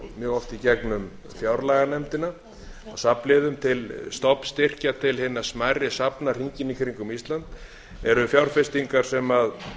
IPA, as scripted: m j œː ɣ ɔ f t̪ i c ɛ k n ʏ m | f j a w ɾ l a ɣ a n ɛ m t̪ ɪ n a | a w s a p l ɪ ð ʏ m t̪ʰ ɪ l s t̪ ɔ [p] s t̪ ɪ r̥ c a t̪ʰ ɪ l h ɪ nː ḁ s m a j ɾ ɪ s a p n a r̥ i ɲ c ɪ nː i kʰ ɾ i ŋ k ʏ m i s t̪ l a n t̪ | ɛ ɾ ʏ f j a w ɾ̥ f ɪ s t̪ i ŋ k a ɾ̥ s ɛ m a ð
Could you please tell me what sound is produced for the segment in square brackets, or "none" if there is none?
p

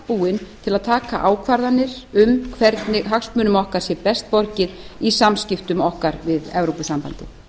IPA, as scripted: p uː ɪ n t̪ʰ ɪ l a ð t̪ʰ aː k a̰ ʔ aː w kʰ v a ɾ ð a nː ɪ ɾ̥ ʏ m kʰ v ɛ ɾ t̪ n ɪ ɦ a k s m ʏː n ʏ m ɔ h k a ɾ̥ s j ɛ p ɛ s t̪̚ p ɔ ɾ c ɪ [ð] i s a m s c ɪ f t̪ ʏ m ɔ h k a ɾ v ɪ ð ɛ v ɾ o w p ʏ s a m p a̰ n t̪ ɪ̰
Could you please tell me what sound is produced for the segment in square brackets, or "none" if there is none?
ð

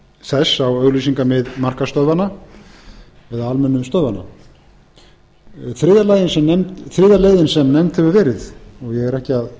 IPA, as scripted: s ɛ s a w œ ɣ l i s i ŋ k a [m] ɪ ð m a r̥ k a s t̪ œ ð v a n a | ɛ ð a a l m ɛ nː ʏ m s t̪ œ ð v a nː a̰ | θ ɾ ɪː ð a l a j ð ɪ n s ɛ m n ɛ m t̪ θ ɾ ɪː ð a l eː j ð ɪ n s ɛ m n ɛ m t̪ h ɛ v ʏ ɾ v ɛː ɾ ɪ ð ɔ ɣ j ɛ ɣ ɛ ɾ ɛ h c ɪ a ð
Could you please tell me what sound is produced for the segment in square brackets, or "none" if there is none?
m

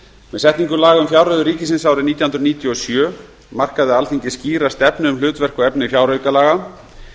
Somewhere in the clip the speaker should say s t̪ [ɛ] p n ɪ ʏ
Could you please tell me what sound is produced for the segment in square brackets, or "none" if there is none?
ɛ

